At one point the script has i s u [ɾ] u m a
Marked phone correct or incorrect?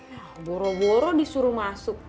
correct